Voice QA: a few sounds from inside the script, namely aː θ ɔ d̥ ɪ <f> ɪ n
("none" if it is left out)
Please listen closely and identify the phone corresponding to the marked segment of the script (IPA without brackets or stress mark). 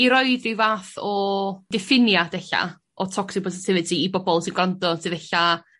f